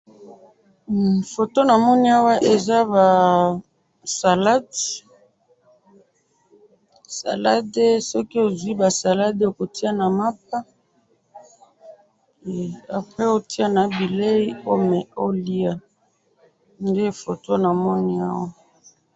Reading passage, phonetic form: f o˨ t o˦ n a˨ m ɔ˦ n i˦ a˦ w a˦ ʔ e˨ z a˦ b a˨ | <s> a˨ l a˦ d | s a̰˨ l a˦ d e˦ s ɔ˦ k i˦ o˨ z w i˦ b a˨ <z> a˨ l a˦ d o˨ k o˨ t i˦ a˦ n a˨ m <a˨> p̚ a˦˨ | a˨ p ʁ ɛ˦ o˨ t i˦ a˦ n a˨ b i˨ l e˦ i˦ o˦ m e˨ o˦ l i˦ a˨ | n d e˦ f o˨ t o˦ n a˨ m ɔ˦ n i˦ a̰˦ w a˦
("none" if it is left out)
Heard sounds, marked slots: s, s, a˦

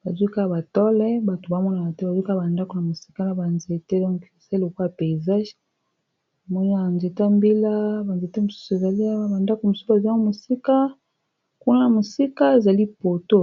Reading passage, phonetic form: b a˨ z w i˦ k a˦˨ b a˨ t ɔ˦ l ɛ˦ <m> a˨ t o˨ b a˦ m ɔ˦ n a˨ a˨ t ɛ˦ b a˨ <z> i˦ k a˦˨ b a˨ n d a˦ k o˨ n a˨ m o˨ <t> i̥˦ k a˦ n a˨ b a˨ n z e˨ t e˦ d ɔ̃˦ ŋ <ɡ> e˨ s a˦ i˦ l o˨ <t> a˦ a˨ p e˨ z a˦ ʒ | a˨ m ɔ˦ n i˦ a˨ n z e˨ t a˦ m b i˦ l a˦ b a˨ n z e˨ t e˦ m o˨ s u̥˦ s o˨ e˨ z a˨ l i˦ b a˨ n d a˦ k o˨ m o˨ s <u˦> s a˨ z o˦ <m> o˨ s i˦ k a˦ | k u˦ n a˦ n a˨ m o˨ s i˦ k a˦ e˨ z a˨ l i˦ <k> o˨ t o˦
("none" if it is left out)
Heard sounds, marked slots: b, z, s, k, k, u˦, m, p

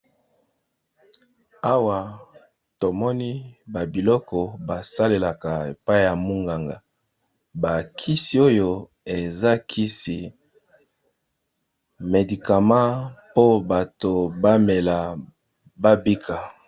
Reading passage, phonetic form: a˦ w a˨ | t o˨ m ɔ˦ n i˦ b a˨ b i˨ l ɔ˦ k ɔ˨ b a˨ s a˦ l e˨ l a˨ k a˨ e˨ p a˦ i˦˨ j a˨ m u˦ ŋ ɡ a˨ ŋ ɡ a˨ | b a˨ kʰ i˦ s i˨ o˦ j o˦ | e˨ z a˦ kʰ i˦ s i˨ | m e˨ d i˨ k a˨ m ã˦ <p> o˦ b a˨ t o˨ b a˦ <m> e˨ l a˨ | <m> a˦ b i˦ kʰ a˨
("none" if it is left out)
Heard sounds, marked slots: p, m, b

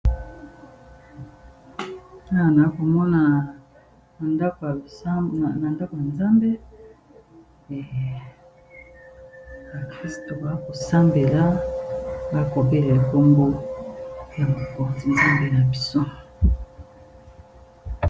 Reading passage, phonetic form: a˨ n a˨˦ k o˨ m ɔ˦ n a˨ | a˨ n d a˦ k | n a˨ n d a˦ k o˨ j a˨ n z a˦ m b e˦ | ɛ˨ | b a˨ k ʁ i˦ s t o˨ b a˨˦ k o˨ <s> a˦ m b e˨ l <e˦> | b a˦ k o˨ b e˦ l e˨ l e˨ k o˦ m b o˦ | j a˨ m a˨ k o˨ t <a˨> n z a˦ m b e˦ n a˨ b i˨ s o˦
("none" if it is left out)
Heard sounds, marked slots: s, a˦, i˨

